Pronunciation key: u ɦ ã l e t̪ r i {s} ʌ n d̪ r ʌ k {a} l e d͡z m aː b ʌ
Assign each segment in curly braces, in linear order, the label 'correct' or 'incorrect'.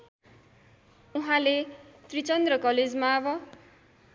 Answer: incorrect, incorrect

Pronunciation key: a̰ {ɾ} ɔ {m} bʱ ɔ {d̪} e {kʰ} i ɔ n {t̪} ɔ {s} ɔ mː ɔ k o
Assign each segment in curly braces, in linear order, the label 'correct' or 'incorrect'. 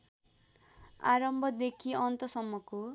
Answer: correct, correct, correct, correct, correct, correct

